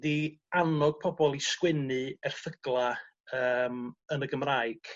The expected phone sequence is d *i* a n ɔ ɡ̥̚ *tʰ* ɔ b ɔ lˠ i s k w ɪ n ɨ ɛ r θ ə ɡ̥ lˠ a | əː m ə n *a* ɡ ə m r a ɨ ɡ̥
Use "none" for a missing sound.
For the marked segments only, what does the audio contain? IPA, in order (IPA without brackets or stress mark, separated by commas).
i, pʰ, ə